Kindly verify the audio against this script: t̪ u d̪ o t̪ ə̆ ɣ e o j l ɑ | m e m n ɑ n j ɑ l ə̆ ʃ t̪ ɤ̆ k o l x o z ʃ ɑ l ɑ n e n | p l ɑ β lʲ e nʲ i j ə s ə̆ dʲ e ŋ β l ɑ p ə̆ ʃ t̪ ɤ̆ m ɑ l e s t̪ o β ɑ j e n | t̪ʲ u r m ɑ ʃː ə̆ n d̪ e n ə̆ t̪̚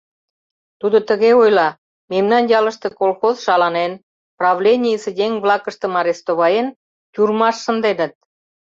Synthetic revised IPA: t̪ u d̪ o t̪ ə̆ ɣ e o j l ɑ | m e m n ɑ n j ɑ l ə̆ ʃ t̪ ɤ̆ k o l x o z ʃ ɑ l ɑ n e n | p r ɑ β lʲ e nʲ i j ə s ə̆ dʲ e ŋ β l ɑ k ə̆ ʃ t̪ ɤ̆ m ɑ ɾ e s t̪ o β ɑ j e n | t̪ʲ u r m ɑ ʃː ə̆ n d̪ e n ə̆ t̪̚